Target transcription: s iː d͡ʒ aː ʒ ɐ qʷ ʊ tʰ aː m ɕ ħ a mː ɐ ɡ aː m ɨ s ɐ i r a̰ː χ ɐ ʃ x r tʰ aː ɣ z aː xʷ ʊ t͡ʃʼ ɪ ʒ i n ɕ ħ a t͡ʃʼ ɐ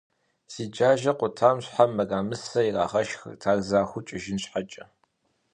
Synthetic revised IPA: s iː d͡ʒ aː ʒ ɐ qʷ ʊ tʰ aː m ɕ ħ a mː ɐ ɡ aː m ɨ s ɐ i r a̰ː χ ɐ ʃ x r tʰ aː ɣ z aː xʷ ʊ t͡ʃʼ ɪ ʒ ɪ n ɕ ħ a t͡ʃʼ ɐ